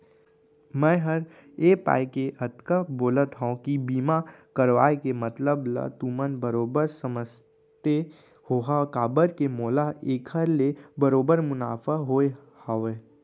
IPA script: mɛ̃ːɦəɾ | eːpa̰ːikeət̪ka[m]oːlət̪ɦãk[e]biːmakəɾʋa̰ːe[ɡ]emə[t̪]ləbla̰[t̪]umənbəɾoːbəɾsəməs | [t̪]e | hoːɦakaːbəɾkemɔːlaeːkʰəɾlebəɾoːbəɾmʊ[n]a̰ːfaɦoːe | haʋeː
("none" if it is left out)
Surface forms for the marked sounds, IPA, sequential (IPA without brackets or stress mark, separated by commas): b, i, k, t̪, t̪, t̪, n